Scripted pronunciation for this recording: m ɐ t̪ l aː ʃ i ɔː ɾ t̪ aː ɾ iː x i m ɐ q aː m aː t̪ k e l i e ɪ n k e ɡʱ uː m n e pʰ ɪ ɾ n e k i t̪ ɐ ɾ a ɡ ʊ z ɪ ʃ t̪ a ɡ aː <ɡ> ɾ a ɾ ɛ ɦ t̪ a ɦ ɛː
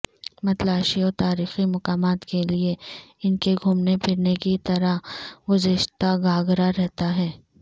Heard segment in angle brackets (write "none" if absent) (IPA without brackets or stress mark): ɡ